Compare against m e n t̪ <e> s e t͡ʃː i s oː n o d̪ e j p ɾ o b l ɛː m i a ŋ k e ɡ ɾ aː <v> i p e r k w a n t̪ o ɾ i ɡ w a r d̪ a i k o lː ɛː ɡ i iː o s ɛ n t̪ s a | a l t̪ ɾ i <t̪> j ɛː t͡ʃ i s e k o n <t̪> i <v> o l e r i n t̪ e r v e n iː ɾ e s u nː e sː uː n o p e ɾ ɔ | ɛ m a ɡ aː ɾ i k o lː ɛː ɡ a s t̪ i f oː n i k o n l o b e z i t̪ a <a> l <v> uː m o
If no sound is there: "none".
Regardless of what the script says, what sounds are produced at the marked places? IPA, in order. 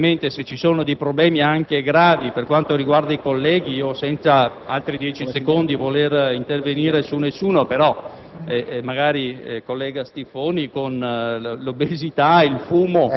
e, v, d̪, d̪, v, i, f

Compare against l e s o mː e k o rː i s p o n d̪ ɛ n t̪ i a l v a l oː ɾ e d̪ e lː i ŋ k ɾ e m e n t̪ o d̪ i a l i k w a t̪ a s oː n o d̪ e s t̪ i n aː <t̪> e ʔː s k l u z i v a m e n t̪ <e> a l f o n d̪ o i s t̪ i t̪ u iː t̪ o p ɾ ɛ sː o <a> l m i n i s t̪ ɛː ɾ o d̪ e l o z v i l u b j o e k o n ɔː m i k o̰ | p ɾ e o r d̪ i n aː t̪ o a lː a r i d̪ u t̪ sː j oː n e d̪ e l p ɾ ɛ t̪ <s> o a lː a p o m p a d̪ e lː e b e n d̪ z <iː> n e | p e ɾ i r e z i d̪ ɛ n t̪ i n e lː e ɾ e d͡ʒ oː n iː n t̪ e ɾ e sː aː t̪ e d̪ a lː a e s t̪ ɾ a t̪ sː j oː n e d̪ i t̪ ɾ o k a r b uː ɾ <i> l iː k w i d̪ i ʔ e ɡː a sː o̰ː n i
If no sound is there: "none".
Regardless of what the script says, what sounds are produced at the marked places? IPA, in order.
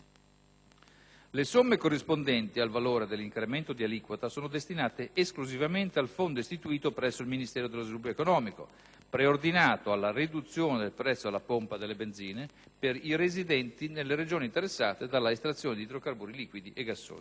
t̪, e, i, sː, iː, i

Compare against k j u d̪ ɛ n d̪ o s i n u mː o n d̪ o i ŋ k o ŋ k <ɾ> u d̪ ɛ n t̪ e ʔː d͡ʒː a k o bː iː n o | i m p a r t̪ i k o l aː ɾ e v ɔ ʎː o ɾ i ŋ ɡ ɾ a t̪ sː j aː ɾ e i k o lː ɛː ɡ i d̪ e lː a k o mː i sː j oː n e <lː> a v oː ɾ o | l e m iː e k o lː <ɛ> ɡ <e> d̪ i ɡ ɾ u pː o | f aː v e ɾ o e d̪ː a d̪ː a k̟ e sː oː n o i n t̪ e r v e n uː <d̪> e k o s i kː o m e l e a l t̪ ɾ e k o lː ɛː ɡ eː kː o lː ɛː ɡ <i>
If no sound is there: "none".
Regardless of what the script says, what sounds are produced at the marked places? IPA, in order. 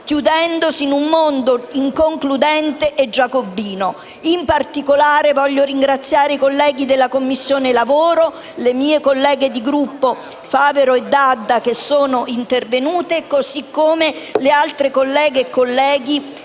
l, l, ɛː, e, t̪, i

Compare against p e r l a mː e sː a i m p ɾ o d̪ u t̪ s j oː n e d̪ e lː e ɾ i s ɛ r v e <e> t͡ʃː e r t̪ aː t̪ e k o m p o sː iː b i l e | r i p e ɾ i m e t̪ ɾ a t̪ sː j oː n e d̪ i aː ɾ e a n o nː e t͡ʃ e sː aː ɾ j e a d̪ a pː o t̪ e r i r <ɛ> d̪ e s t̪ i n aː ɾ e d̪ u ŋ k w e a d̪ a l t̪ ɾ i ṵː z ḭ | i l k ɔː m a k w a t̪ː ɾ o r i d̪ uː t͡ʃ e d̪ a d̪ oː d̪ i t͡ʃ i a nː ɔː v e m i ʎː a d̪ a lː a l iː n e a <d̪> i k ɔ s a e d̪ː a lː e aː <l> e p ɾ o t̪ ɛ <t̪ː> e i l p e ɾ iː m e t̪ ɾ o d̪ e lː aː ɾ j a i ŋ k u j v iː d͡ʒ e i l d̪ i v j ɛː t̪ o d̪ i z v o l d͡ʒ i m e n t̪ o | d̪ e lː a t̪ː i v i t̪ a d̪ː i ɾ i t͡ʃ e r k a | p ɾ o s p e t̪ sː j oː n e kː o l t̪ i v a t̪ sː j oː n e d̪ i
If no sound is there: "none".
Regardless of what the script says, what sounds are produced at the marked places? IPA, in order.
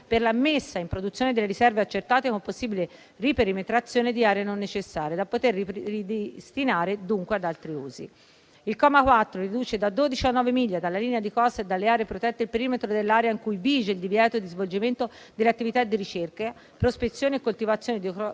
a, i, d̪, ɾ, t̪ː

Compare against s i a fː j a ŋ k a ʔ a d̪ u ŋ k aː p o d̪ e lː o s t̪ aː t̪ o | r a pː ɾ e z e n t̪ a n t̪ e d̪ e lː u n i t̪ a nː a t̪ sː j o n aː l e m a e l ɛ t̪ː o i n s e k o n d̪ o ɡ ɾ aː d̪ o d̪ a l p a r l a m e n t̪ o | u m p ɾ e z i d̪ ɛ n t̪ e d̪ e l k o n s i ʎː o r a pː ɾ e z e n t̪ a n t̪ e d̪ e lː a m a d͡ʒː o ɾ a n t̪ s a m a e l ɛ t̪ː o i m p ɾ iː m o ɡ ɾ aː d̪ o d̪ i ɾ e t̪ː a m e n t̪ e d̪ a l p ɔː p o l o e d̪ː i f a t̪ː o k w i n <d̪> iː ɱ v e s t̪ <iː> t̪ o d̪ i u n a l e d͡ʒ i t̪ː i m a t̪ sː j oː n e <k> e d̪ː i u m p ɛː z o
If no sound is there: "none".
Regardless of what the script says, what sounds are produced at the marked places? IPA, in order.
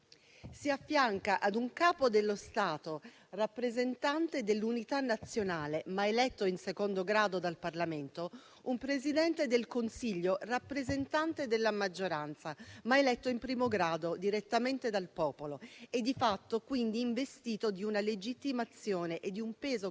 d̪, iː, ʔ

